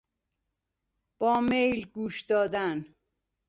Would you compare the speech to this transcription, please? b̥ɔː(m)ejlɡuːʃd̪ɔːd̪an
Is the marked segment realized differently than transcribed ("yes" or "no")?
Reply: no